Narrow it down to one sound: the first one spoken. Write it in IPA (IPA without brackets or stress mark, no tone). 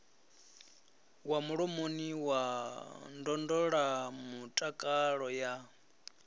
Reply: w